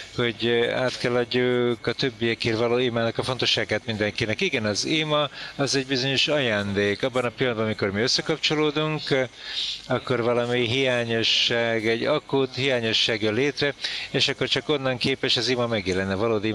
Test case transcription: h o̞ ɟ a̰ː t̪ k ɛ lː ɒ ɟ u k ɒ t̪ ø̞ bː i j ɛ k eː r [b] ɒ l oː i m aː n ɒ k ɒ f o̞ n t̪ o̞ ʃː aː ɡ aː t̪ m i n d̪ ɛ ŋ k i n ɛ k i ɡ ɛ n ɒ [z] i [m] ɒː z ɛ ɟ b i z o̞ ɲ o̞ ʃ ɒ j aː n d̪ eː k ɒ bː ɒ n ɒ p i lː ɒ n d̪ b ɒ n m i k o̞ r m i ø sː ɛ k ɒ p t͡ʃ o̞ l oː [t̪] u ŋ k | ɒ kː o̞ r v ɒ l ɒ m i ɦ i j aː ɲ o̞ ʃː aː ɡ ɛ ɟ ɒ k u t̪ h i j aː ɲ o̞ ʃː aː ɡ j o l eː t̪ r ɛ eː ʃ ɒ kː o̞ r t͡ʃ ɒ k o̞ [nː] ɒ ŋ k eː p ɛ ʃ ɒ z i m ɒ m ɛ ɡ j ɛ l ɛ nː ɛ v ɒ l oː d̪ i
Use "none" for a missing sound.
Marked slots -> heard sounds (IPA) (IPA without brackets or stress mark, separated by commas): v, z, m, d̪, nː